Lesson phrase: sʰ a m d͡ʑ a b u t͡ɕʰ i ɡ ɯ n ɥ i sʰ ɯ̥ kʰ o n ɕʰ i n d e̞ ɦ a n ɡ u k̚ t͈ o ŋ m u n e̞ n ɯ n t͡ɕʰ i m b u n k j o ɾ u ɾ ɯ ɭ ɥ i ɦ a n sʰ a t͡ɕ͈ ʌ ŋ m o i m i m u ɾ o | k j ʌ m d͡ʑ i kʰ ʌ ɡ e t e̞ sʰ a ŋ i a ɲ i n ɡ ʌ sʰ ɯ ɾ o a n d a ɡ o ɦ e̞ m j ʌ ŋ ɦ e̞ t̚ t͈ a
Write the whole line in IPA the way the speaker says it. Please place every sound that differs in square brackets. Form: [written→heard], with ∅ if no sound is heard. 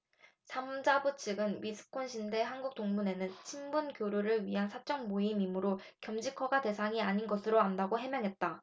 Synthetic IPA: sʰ a m d͡ʑ a b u t͡ɕʰ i ɡ ɯ n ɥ i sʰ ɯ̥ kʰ o n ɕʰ i n d e̞ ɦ a n ɡ u k̚ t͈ o ŋ m u n e̞ n ɯ n t͡ɕʰ i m b u n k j o ɾ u ɾ ɯ ɭ ɥ i ɦ a n sʰ a t͡ɕ͈ ʌ ŋ m o i m i m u ɾ o | k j ʌ m d͡ʑ i kʰ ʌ ɡ [e→a] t e̞ sʰ a ŋ i a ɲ i n ɡ ʌ sʰ ɯ ɾ o a n d a ɡ o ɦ e̞ m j ʌ ŋ ɦ e̞ t̚ t͈ a

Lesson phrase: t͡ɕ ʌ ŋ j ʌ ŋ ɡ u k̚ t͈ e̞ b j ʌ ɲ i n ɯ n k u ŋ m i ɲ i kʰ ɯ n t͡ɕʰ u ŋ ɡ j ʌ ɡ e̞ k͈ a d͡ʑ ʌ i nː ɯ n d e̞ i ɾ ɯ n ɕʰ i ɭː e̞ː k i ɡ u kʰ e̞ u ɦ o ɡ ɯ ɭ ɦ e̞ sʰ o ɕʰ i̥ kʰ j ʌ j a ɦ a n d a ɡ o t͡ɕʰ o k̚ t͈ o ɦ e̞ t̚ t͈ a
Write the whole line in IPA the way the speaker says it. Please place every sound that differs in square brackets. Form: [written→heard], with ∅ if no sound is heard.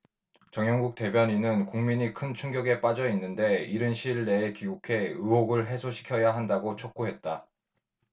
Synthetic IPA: t͡ɕ ʌ ŋ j ʌ ŋ ɡ u k̚ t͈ e̞ b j ʌ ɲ i n ɯ n k u ŋ m i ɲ i kʰ ɯ n t͡ɕʰ u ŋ ɡ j ʌ ɡ e̞ [k͈→p͈] a d͡ʑ ʌ i nː ɯ n d e̞ i ɾ ɯ n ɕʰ i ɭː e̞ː k i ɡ u kʰ e̞ [u→ɯ] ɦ o ɡ ɯ ɭ ɦ e̞ sʰ o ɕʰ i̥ kʰ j ʌ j a ɦ a n d a ɡ o t͡ɕʰ o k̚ [t͈→k͈] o ɦ e̞ t̚ t͈ a

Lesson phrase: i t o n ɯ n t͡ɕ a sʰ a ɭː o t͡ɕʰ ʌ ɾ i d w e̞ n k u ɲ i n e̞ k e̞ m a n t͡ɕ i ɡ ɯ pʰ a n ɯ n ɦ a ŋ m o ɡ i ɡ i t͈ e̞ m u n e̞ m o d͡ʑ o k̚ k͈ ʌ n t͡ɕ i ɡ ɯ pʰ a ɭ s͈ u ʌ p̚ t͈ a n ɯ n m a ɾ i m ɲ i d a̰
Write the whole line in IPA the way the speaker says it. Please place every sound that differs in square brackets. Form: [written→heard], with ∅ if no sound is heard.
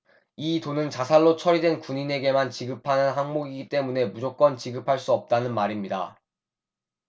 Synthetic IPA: i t o n ɯ n t͡ɕ a sʰ a ɭː o t͡ɕʰ ʌ ɾ i d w e̞ n k u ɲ i n e̞ [k→ɡ] e̞ m a n t͡ɕ i ɡ ɯ pʰ a n ɯ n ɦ a ŋ m o ɡ i ɡ i t͈ e̞ m u n e̞ m [o→u] d͡ʑ o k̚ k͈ ʌ n t͡ɕ i ɡ ɯ pʰ a ɭ s͈ u ʌ p̚ t͈ a n ɯ n m a ɾ i m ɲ i d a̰

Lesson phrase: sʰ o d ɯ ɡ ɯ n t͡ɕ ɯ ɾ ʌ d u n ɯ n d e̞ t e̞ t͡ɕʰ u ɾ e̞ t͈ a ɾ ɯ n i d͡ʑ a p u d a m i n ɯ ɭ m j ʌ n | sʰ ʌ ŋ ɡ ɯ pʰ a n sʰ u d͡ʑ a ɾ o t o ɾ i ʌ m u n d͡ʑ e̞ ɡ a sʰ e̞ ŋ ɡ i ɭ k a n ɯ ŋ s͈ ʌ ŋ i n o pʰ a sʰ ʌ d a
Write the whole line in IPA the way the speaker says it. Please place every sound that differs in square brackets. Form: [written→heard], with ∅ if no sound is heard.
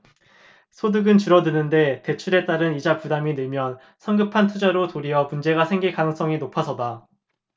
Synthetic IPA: sʰ o d ɯ ɡ ɯ n t͡ɕ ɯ ɾ ʌ d [u→ɯ] n ɯ n d e̞ t e̞ t͡ɕʰ u ɾ e̞ t͈ a ɾ ɯ n i d͡ʑ a p u d a m i n ɯ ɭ m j ʌ n | sʰ ʌ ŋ ɡ ɯ pʰ a n [sʰ→tʰ] u d͡ʑ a ɾ o t o ɾ i ʌ m u n d͡ʑ e̞ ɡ a sʰ e̞ ŋ ɡ i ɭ k a n ɯ ŋ s͈ ʌ ŋ i n o pʰ a sʰ ʌ d a

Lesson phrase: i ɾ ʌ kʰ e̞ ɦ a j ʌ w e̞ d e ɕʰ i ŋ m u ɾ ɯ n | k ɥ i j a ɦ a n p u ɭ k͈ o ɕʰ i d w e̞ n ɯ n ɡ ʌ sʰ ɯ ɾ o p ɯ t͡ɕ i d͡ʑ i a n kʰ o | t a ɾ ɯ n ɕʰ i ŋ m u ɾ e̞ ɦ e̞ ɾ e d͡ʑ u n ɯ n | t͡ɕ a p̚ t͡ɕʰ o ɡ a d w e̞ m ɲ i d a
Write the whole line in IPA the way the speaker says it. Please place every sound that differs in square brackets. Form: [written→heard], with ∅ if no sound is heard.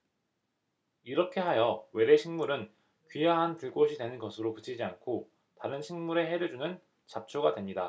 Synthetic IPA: i ɾ ʌ kʰ e̞ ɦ a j ʌ w e̞ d e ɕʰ i ŋ m u ɾ ɯ n | k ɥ i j a ɦ a n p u ɭ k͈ o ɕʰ i d w e̞ n ɯ n ɡ ʌ sʰ ɯ ɾ o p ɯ [t͡ɕ→t͡ɕʰ] i d͡ʑ i a n kʰ o | t a ɾ ɯ n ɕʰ i ŋ m u ɾ e̞ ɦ e̞ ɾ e d͡ʑ u n ɯ n | t͡ɕ a p̚ t͡ɕʰ o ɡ a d w e̞ m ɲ i d a

